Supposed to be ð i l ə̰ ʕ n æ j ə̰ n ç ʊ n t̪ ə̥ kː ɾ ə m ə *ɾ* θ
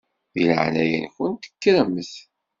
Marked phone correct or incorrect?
incorrect